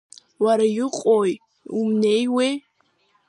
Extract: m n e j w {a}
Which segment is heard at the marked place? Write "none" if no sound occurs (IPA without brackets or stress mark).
e